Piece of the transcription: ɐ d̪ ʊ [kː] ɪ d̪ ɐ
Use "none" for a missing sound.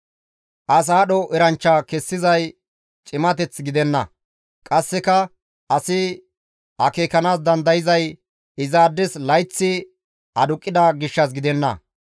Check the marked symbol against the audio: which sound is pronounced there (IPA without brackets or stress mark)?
kʼː